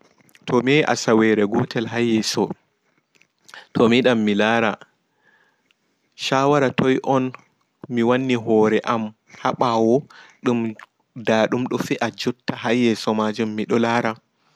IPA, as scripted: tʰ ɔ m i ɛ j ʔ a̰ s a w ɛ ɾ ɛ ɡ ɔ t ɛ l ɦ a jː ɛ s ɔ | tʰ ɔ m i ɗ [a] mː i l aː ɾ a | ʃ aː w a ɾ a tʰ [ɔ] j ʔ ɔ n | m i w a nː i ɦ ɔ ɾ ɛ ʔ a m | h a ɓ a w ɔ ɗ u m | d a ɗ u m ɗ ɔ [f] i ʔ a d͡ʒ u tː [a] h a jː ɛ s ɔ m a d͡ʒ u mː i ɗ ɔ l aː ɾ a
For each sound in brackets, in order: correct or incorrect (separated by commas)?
correct, correct, correct, correct